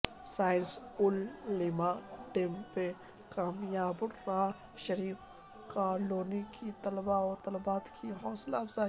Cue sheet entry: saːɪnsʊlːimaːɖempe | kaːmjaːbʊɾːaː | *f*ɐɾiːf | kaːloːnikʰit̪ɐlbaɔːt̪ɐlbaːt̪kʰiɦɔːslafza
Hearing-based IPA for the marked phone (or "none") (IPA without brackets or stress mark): ʃ